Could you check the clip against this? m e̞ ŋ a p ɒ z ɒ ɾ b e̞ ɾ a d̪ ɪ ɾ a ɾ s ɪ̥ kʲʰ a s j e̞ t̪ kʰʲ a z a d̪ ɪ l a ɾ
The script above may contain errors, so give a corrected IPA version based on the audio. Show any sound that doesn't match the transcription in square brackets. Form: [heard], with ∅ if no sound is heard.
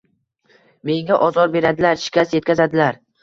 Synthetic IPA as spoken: m e̞ ŋ a [ʔ] ɒ z ɒ ɾ b e̞ ɾ a d̪ ɪ [l] a ɾ [ʃ] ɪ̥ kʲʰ a s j e̞ t̪ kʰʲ a z a d̪ ɪ l a ɾ